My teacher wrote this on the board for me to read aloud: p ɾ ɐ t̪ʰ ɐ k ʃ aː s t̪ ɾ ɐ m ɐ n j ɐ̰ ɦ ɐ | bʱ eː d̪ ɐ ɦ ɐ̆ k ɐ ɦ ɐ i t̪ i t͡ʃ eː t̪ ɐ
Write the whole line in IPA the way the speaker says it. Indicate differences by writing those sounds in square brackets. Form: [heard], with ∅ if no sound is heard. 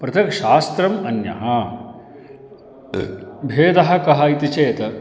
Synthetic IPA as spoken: p ɾ ɐ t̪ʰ ɐ k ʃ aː s t̪ ɾ ɐ m ɐ n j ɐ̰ ɦ ɐ | bʱ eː d̪ ɐ ɦ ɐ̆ k ɐ ɦ ɐ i t̪ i t͡ʃ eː t̪ ɐ